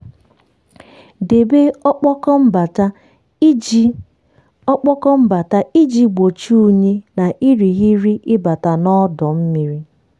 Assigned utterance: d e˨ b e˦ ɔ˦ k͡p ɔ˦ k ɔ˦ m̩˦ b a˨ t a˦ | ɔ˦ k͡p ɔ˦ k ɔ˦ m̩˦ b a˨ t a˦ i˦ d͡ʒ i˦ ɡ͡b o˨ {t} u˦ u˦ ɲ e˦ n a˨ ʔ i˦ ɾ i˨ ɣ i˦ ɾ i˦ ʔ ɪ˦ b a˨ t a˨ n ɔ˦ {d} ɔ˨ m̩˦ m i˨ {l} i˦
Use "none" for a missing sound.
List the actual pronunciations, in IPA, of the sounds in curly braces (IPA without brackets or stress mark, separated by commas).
t͡ʃ, d, ɾ